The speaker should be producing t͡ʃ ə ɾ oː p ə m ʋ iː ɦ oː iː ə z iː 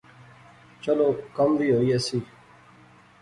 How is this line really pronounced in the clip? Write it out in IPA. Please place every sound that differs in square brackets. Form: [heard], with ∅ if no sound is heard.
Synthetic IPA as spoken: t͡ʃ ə [l] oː [k] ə m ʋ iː ɦ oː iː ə [s] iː